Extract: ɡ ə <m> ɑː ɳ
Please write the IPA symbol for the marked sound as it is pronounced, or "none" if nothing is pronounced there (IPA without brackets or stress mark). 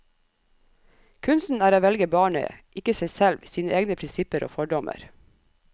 b